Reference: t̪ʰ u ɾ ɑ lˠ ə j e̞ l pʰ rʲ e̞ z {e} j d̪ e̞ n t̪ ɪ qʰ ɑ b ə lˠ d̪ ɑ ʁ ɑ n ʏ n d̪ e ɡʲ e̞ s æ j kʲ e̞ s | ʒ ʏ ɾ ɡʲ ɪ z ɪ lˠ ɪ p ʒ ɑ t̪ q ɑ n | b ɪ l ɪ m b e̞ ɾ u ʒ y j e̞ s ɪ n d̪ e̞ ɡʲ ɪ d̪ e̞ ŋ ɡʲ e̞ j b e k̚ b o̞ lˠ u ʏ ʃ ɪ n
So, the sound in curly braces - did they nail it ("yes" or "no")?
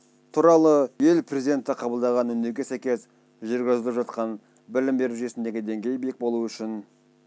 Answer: no